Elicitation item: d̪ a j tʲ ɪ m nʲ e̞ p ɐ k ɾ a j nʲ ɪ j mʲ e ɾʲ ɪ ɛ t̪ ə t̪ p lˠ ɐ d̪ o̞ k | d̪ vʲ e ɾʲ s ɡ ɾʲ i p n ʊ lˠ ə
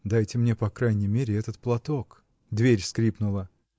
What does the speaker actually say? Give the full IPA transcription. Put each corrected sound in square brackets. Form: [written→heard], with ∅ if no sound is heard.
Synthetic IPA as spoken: d̪ a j tʲ ɪ m nʲ e̞ p ɐ k ɾ a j nʲ ɪ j mʲ e ɾʲ ɪ ɛ t̪ ə t̪ p lˠ ɐ [d̪→t̪] o̞ k | d̪ vʲ e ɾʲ s [ɡ→k] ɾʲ i p n ʊ lˠ ə